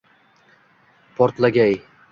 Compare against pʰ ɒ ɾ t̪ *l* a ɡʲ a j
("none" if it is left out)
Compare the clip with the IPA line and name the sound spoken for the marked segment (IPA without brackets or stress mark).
l